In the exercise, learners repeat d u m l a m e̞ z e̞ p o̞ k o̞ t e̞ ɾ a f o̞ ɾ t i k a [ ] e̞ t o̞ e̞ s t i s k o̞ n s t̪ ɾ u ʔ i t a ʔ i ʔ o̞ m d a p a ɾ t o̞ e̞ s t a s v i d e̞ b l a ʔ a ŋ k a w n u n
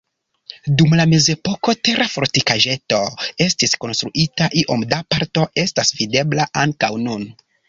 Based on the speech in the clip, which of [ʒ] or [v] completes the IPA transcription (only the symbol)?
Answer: ʒ